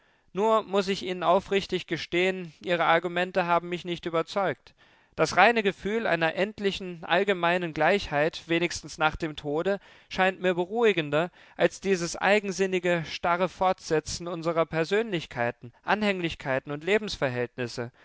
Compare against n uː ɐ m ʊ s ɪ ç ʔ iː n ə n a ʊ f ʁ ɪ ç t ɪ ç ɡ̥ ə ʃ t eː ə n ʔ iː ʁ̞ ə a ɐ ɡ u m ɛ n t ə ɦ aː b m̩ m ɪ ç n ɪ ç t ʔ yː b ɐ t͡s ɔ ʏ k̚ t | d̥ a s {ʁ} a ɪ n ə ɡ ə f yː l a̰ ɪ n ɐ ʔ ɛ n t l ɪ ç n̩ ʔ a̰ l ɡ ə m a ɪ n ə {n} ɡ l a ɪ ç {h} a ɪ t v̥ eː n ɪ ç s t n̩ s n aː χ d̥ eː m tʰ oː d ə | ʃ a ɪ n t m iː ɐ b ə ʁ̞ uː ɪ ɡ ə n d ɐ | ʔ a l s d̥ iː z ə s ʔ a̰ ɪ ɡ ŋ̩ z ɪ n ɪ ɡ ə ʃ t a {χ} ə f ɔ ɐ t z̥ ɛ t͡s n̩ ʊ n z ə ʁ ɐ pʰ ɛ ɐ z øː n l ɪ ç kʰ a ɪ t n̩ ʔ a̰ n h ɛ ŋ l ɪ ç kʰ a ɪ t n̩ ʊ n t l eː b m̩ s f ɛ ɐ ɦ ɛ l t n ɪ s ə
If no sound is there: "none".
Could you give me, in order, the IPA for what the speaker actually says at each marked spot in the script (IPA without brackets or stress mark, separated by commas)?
ʁ, n, h, ʁ